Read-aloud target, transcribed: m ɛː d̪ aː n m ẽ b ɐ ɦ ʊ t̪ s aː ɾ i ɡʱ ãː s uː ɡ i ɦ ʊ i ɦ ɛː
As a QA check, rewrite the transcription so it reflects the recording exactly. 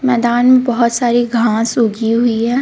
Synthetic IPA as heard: m ɛː d̪ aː n m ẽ b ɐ ɦ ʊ t̪ s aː ɾ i ɡʱ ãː s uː ɡ i ɦ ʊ i ɦ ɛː